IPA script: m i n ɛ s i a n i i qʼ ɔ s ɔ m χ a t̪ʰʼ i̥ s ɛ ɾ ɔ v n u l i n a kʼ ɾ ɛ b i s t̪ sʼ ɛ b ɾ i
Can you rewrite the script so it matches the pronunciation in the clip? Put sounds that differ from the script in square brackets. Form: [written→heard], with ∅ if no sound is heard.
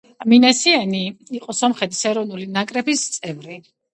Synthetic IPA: m i n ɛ s i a n i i qʼ ɔ s ɔ m χ [a→ɛ] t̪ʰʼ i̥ s ɛ ɾ ɔ v n u l i n a kʼ ɾ ɛ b i s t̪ sʼ ɛ [b→v] ɾ i